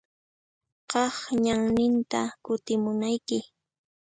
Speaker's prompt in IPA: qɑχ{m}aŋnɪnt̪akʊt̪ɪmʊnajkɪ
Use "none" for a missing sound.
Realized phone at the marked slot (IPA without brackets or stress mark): ɲ